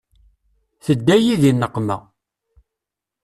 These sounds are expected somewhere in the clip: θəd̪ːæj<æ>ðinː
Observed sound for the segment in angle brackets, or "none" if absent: i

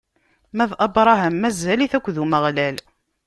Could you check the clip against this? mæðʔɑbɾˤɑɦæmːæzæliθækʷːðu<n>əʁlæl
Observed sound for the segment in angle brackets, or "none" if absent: m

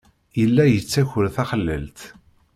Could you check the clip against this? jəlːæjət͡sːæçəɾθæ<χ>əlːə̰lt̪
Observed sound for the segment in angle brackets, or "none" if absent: χ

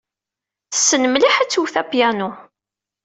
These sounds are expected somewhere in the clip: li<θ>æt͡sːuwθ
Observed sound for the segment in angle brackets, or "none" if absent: ħ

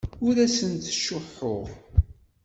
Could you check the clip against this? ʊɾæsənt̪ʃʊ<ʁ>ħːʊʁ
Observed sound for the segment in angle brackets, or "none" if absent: none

